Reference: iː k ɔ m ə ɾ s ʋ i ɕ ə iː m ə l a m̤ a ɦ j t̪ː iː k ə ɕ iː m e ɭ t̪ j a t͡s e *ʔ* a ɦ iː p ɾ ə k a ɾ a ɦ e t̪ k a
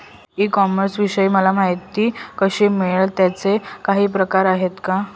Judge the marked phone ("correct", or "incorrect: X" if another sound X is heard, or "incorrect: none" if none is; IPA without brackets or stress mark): incorrect: k